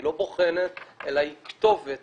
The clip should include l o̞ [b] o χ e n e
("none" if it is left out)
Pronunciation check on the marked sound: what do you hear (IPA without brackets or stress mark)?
b